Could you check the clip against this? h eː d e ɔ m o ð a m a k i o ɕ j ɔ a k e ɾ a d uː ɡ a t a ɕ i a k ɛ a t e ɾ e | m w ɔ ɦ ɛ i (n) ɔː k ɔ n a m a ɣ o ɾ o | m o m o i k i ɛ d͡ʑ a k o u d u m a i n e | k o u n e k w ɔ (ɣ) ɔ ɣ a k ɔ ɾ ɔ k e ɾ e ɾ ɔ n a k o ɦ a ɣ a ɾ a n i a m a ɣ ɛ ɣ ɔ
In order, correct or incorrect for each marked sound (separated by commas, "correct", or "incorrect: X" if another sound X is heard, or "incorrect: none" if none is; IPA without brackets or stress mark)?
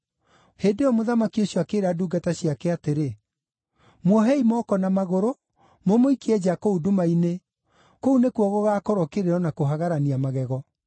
incorrect: m, correct